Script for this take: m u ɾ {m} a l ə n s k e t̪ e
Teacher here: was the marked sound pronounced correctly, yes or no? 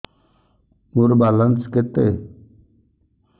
no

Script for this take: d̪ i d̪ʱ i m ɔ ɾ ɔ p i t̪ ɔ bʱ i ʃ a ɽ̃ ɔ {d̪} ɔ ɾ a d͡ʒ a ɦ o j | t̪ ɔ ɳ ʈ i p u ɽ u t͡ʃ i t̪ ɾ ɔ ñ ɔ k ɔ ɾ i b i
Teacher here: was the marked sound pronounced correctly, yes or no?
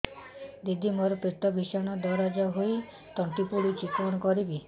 yes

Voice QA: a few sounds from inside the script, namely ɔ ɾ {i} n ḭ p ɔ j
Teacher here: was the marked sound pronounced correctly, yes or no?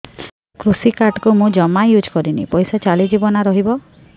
yes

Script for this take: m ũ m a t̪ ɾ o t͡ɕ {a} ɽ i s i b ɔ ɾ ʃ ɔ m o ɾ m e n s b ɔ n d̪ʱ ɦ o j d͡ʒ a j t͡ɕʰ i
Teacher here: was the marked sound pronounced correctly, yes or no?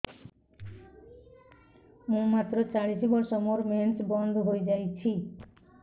yes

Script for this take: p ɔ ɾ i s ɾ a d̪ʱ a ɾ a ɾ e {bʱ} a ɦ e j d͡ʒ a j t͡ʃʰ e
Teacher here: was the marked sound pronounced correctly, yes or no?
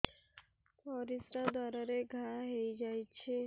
no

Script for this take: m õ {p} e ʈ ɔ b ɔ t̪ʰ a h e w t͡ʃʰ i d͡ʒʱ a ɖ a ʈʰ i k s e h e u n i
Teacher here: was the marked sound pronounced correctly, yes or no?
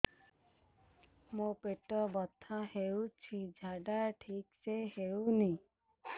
yes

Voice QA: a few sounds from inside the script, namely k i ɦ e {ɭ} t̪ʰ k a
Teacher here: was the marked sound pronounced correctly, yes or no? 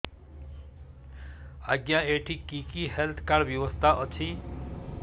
no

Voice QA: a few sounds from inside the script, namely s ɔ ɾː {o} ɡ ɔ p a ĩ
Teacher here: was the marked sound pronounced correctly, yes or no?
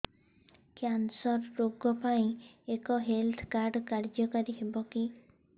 yes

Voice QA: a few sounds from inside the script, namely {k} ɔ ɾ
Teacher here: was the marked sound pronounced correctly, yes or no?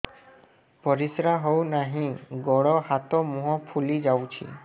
no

